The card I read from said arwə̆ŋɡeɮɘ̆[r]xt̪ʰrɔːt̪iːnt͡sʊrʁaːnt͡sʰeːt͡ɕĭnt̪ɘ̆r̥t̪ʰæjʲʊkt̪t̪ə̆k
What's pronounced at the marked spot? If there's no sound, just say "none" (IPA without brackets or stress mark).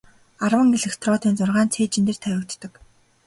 none